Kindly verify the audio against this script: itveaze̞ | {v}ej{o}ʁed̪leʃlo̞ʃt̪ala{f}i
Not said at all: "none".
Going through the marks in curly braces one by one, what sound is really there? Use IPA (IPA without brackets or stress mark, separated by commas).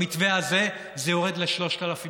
z, o, f